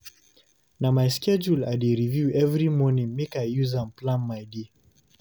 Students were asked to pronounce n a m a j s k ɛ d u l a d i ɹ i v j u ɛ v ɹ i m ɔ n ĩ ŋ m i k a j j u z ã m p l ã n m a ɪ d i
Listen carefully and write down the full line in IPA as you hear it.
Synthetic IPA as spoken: n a m a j s k ɛ d͡ʒ u l a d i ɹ i v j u ɛ v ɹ i m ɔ n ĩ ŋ m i k a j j u z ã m p l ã n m a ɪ d i